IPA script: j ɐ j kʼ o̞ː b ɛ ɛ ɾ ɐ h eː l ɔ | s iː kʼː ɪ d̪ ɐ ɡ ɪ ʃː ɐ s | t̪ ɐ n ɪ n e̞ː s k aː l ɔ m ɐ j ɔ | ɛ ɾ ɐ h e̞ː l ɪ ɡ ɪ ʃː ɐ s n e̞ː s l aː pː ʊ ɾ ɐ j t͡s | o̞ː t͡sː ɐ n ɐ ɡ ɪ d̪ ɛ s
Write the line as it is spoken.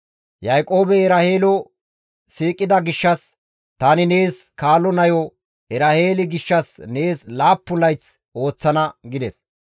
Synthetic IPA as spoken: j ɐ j kʼ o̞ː b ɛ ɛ ɾ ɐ h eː l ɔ | s iː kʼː ɪ d̪ ɐ ɡ ɪ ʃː ɐ s | t̪ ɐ n ɪ n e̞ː s k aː l ɔ n ɐ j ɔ | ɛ ɾ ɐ h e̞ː l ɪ ɡ ɪ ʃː ɐ s n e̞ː s l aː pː ʊ l ɐ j t͡s | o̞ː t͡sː ɐ n ɐ ɡ ɪ d̪ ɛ s